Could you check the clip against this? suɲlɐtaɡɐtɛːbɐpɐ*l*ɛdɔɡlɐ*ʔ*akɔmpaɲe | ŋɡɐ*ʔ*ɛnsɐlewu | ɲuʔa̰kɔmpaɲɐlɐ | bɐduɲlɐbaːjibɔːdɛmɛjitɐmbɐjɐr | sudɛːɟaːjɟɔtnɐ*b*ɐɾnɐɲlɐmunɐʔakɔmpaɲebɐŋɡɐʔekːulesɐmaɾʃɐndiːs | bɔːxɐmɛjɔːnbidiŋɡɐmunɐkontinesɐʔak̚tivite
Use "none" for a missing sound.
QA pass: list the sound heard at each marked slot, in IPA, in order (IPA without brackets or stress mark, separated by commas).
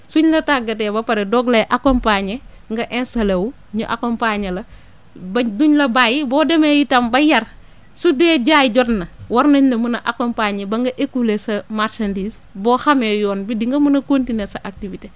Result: ɾ, ʔ, ʔ, w